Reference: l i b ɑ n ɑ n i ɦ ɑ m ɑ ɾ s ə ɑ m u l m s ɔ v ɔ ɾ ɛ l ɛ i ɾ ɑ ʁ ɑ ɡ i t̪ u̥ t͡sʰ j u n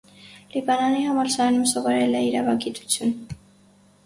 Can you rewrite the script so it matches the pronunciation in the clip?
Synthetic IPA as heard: l i b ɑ n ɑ n i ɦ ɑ m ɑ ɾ s ɑ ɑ n u m s ɔ v ɔ ɾ ɛ l ɛ i ɾ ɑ v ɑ ɡ i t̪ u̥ t͡sʰ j u n